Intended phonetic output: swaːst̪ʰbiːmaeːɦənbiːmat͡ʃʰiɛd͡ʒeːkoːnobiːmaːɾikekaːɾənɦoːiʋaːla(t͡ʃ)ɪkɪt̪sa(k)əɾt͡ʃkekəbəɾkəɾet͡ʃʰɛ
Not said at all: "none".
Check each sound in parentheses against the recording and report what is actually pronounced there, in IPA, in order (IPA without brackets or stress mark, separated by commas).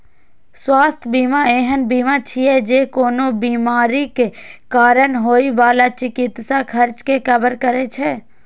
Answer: t͡ʃ, kʰ